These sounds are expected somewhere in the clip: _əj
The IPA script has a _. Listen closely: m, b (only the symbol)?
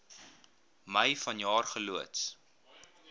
m